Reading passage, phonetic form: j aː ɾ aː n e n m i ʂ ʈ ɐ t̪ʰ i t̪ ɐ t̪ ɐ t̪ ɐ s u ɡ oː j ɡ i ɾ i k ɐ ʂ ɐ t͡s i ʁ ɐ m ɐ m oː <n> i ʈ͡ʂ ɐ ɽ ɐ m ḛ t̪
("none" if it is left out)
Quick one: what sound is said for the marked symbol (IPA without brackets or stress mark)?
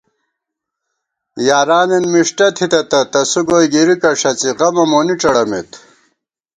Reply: n